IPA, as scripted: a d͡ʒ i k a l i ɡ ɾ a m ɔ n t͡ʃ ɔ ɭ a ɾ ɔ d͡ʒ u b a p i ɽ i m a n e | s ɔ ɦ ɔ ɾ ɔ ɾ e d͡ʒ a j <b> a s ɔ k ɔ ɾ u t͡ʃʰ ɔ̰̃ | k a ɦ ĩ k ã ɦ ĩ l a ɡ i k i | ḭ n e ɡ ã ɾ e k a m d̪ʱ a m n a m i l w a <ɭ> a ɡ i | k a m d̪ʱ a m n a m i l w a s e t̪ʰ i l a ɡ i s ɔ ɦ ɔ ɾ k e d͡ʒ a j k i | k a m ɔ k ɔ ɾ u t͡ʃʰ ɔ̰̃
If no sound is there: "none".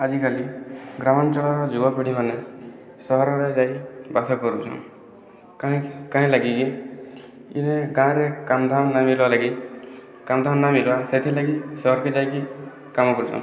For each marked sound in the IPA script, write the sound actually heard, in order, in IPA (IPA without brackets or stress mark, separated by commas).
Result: b, l